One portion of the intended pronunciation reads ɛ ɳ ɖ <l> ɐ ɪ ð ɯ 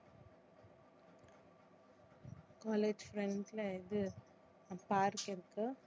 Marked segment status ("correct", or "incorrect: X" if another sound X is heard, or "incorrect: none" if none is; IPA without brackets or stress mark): correct